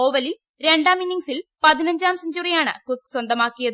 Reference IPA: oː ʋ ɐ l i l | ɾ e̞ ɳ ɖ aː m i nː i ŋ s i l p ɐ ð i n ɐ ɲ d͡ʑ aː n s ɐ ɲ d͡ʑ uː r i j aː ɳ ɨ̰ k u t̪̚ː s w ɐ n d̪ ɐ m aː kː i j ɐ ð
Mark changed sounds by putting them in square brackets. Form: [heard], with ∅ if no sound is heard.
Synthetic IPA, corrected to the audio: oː ʋ ɐ l i l | ɾ e̞ ɳ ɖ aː m i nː i ŋ s i l p ɐ ð i n ɐ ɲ d͡ʑ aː [m] s ɐ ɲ d͡ʑ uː r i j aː ɳ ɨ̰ k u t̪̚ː s w ɐ n d̪ ɐ m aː kː i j ɐ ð